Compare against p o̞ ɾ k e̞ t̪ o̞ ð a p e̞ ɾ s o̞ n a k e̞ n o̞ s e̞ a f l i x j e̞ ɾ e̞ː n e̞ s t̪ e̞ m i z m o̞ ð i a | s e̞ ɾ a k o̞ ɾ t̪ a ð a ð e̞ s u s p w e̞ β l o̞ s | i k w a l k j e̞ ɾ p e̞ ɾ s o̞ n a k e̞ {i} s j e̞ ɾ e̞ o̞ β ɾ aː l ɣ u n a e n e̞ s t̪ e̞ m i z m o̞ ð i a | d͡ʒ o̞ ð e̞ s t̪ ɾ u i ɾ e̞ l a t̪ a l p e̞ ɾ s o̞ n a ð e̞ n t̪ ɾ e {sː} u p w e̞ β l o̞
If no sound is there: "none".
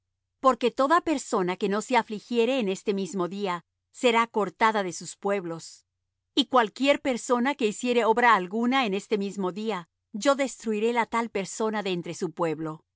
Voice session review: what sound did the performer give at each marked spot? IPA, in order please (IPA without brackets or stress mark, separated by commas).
i, s